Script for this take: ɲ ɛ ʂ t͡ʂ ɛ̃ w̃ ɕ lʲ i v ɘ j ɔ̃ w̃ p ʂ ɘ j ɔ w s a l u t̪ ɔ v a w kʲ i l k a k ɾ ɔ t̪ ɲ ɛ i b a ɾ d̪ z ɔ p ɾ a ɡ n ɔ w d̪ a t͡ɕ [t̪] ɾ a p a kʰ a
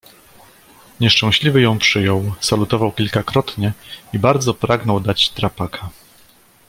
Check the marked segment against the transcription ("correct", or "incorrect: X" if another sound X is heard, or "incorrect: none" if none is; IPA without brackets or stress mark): correct